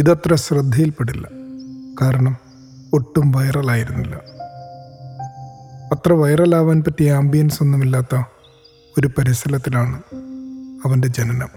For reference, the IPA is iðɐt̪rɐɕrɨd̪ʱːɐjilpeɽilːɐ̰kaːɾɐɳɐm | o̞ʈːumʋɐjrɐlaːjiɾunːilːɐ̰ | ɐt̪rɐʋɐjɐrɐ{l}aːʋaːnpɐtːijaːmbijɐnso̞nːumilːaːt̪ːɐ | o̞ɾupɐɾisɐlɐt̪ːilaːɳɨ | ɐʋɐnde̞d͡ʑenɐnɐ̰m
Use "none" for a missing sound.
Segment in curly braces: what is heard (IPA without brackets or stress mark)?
l